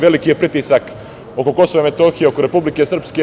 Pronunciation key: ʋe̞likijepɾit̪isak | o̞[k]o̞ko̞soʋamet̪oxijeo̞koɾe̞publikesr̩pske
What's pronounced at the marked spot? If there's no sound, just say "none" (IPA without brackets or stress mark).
k